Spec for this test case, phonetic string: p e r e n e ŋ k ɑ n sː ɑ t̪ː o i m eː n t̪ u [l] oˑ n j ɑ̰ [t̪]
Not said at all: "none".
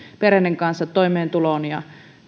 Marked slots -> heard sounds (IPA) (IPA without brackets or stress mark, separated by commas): l, none